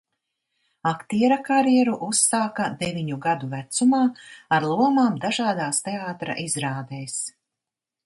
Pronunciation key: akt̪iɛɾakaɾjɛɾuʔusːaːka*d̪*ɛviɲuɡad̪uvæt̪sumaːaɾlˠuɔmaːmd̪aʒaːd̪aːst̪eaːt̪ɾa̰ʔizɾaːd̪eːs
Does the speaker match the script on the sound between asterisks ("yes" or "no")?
yes